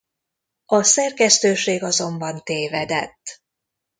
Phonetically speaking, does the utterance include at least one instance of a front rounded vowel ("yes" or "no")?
yes